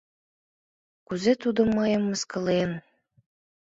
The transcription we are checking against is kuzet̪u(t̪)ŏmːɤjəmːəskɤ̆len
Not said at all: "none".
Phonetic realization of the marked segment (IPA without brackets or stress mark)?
d̪